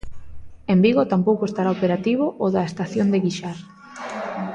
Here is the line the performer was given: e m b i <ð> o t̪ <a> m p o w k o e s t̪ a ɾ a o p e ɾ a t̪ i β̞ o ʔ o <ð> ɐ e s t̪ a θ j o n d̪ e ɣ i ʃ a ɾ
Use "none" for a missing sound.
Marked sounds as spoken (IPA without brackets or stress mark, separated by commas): ɣ, a, ð